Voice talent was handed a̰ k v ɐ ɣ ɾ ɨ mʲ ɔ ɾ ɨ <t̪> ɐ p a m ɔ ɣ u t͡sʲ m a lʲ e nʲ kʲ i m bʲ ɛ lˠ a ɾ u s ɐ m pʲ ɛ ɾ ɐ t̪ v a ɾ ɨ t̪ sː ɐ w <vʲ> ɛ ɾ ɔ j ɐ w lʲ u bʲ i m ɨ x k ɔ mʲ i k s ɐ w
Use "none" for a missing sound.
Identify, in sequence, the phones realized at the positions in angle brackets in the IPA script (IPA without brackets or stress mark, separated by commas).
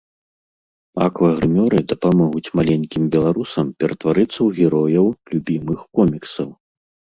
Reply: d̪, ɣʲ